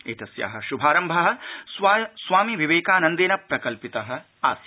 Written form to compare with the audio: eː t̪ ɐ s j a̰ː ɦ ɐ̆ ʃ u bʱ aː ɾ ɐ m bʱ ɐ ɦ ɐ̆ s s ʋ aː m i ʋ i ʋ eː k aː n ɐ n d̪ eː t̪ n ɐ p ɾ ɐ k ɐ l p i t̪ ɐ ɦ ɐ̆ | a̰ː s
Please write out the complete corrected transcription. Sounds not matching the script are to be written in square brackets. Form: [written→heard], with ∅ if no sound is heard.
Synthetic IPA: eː t̪ ɐ s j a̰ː ɦ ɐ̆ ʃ u bʱ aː ɾ ɐ m bʱ ɐ ɦ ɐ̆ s s ʋ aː m i ʋ i ʋ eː k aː n ɐ n d̪ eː [t̪→∅] n ɐ p ɾ ɐ k ɐ l p i t̪ ɐ ɦ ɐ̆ | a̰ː s